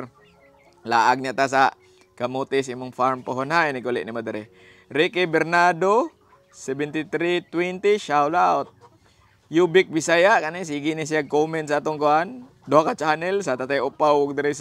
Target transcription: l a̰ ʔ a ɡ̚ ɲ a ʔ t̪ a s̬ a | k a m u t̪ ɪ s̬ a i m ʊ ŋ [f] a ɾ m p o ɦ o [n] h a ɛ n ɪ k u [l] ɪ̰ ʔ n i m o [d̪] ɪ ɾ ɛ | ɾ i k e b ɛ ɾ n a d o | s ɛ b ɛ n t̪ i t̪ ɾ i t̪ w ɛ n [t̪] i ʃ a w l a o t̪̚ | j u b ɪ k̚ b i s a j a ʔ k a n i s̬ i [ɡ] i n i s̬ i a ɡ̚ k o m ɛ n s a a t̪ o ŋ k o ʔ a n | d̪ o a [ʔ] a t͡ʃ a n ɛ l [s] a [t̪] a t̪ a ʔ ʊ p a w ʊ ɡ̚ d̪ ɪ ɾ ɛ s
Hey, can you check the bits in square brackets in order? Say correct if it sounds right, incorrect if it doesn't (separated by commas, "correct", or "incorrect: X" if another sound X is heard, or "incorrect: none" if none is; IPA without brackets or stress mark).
correct, correct, correct, correct, correct, correct, incorrect: k, correct, correct